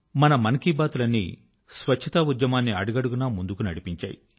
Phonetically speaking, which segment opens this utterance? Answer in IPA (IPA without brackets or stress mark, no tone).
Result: m